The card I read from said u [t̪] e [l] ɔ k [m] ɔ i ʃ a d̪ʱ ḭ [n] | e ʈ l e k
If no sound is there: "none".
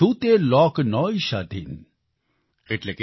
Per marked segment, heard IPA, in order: t̪, l, n, n

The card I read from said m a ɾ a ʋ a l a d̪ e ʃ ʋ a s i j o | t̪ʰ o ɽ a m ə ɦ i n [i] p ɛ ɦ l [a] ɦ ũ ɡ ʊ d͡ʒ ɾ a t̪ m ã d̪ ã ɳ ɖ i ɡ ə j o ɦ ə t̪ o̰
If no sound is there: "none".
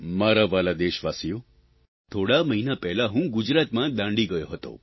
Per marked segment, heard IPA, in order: a, a

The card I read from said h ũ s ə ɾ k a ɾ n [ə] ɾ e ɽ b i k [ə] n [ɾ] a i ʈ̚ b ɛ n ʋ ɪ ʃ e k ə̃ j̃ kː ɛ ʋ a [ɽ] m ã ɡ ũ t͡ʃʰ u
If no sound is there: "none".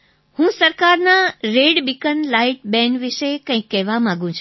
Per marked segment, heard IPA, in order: a, ə, l, none

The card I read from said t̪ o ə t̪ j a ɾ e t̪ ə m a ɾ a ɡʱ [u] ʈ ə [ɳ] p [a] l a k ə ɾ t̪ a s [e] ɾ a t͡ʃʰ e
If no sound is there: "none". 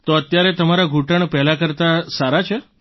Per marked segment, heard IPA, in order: u, ɳ, ɛ, a

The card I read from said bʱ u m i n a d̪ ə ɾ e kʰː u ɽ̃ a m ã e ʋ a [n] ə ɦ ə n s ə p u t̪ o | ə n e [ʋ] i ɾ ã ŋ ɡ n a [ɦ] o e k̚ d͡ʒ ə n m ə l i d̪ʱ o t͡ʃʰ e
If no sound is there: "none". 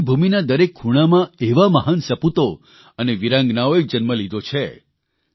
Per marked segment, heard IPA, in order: m, ʋ, none

